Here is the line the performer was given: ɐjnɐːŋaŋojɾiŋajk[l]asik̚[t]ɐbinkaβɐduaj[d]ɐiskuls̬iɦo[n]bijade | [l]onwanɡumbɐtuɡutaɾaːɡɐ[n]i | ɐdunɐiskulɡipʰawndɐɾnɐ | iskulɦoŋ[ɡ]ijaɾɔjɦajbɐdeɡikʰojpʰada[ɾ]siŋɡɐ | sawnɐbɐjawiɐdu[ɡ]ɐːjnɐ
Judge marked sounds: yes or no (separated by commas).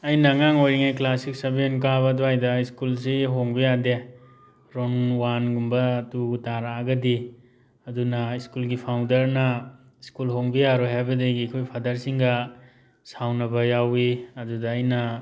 yes, no, yes, no, no, no, no, yes, no